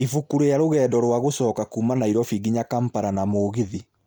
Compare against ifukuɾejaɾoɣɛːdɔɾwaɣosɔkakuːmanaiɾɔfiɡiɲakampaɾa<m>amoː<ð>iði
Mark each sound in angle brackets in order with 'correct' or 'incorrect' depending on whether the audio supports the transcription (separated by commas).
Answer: incorrect, incorrect